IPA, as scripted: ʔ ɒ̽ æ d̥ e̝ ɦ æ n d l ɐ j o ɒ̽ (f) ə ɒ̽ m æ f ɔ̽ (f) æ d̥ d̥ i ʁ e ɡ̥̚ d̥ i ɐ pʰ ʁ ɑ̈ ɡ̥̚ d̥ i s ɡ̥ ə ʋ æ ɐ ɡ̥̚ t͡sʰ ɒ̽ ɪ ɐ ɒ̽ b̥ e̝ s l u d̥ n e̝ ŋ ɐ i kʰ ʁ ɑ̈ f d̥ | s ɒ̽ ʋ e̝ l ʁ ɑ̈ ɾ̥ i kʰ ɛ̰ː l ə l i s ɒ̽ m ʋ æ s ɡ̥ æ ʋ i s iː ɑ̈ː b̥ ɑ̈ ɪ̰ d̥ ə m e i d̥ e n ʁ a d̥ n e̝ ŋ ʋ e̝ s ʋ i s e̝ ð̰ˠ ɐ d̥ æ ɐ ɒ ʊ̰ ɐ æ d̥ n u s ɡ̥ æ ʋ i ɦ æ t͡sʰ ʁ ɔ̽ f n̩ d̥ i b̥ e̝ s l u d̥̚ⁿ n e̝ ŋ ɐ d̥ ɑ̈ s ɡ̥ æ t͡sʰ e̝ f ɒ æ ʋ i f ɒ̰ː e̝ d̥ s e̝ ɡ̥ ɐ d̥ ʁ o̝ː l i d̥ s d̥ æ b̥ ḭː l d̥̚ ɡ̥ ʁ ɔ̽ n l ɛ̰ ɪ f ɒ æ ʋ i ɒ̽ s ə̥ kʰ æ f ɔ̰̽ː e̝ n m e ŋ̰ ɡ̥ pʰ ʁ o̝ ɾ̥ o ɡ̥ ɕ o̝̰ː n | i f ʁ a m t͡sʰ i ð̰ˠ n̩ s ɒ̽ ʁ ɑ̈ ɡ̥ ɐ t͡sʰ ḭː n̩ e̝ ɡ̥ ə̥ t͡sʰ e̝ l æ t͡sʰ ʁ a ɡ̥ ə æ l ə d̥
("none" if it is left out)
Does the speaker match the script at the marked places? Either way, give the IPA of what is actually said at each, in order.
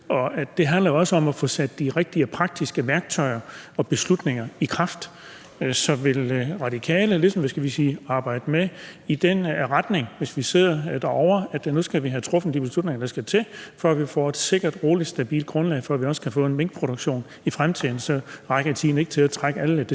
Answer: s, s

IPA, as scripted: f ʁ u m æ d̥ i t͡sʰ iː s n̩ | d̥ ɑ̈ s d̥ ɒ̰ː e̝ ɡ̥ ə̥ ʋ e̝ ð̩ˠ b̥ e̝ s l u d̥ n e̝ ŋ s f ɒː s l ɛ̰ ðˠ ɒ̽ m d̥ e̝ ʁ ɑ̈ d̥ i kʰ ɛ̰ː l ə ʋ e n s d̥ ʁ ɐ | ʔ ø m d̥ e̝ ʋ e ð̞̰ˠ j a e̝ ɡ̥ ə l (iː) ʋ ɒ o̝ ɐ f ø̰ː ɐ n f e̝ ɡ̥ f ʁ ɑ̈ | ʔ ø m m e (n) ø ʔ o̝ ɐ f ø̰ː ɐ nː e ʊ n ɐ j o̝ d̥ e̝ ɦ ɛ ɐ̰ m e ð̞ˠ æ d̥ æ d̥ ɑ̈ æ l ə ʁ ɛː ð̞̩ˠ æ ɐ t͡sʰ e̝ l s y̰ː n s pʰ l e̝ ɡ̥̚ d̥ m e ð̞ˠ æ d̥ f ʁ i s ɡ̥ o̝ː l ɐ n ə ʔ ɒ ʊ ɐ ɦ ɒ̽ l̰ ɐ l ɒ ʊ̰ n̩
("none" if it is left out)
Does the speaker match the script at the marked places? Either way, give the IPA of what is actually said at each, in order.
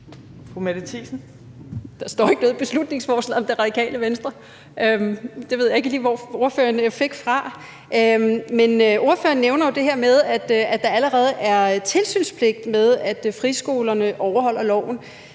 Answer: iː, n

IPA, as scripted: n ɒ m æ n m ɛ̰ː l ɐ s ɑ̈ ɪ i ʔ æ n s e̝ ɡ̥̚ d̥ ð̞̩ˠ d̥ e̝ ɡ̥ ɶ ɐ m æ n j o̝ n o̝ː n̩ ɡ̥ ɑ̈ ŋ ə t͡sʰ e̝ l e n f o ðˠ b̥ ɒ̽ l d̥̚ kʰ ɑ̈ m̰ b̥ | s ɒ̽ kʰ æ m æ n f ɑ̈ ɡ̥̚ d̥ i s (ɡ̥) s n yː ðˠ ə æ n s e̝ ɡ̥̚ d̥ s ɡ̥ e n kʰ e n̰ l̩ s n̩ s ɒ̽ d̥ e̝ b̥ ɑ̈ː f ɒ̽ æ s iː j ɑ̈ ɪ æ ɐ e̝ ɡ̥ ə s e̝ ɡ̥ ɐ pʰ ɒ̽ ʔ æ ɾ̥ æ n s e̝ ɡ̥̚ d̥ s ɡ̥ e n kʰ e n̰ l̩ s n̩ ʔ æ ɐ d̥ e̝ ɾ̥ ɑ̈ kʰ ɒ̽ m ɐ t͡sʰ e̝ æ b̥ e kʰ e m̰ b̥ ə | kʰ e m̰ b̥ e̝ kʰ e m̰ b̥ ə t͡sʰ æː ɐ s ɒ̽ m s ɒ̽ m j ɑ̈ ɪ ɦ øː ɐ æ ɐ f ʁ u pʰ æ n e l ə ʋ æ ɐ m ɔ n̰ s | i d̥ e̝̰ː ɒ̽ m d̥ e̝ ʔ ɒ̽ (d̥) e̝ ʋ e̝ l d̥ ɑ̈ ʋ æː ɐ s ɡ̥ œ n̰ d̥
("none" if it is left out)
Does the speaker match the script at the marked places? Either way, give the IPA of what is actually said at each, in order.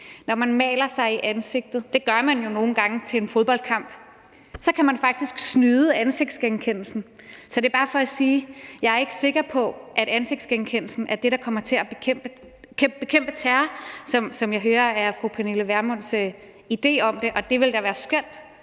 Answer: ɡ̥, d̥

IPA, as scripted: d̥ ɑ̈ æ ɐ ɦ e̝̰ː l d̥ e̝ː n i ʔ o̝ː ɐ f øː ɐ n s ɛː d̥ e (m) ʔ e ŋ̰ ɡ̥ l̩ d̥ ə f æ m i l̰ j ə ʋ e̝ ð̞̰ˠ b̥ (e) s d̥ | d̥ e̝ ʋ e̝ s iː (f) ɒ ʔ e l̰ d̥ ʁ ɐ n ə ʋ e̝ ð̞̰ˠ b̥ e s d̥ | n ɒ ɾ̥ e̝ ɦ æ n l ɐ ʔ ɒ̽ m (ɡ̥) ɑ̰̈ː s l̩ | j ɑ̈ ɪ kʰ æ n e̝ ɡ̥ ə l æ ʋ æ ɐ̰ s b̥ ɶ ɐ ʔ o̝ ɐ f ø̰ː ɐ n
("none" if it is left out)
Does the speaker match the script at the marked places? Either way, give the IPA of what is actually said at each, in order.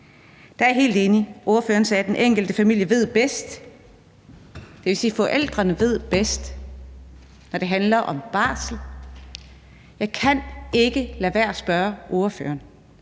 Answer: n, e, f, b̥

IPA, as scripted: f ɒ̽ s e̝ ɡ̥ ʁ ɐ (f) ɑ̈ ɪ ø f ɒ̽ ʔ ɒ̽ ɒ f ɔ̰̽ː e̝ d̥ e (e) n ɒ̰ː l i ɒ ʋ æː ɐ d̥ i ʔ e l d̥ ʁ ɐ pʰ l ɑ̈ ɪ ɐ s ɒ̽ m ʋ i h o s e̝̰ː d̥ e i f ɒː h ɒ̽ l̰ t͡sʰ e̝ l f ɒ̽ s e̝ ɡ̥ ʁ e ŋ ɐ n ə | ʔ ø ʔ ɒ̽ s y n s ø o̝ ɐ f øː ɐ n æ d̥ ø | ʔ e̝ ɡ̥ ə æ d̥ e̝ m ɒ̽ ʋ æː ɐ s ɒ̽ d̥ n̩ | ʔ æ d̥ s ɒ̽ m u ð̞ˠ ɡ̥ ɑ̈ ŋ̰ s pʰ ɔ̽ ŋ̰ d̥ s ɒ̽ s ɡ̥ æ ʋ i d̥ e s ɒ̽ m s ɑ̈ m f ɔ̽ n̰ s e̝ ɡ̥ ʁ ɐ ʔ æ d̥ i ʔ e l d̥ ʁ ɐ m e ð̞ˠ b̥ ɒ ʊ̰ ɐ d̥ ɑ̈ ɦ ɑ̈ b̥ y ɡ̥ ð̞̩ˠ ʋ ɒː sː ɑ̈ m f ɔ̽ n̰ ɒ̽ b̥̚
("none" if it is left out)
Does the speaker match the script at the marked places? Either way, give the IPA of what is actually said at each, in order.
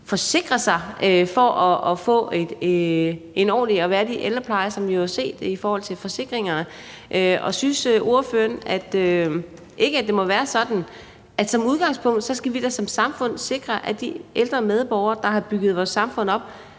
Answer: s, e

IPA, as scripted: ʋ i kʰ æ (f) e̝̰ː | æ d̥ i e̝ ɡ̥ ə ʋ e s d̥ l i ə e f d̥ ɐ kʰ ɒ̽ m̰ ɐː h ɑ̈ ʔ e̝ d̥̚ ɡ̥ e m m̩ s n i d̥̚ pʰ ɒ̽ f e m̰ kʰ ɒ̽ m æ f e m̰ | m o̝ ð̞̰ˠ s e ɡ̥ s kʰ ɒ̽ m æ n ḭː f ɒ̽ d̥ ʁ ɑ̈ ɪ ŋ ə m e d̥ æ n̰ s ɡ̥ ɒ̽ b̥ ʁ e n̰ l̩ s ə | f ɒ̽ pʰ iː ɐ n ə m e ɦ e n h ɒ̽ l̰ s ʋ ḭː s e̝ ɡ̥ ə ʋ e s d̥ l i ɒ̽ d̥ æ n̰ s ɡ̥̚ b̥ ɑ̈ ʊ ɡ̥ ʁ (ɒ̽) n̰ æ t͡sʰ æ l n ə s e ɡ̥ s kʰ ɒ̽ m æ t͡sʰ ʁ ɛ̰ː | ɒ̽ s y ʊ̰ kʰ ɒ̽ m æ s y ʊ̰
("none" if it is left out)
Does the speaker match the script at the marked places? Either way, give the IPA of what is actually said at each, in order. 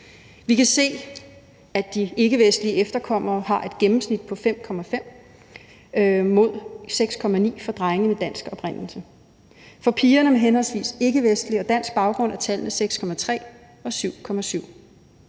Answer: s, ɔ̽

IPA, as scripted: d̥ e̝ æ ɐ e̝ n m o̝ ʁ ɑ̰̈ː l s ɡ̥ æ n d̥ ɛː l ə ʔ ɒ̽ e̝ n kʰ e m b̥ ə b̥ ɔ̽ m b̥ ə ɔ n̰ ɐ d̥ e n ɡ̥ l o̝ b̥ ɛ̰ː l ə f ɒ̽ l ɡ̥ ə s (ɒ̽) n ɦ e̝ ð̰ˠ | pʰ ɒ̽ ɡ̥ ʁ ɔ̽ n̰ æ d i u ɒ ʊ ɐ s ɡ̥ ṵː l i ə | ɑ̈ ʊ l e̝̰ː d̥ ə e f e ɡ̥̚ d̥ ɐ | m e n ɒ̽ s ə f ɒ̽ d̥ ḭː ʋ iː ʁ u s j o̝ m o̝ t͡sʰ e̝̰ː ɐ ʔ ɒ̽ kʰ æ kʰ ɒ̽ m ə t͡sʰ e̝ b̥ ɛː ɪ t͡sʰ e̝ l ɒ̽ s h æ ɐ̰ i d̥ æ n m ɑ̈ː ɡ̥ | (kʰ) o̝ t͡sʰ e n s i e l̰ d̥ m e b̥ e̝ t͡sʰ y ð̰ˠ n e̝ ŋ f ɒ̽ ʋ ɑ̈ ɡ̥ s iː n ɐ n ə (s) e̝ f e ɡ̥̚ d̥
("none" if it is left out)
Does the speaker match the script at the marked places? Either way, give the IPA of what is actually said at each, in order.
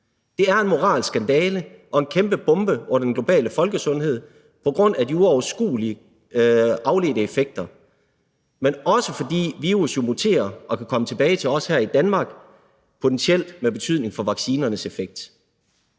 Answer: ɔ̽, pʰ, s

